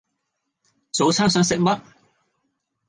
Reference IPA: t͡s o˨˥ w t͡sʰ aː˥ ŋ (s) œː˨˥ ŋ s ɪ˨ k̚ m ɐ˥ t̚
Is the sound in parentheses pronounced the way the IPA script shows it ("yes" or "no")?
yes